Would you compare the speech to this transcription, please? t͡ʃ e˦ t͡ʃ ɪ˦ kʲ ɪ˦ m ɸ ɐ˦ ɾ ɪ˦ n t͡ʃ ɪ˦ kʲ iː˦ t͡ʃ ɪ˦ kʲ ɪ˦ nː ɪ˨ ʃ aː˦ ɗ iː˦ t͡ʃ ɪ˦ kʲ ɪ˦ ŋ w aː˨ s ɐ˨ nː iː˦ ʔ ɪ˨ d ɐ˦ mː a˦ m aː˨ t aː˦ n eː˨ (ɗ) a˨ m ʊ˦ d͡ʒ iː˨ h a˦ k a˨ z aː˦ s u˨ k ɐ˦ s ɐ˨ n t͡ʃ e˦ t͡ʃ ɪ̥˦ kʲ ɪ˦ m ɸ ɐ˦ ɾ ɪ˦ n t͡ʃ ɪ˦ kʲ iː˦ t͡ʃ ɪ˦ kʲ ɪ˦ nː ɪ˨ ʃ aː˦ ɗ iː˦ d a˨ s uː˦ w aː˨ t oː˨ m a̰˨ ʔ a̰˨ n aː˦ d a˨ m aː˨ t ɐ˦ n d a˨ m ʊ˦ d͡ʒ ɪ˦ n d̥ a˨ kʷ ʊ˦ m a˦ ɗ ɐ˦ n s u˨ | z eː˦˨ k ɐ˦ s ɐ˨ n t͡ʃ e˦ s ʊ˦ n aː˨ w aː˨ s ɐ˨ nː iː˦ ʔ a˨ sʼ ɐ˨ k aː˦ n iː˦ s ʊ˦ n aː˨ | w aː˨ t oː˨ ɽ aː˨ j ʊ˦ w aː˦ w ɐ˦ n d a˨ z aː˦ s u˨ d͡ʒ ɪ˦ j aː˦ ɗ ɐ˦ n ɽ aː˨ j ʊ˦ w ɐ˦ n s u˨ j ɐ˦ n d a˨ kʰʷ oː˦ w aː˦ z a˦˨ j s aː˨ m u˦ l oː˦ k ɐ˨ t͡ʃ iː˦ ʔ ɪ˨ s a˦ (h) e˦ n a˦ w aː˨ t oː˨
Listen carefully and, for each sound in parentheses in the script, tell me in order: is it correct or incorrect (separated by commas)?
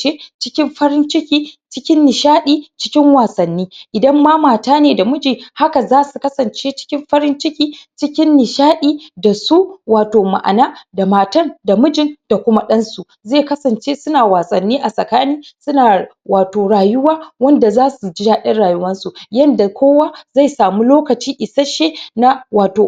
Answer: incorrect, incorrect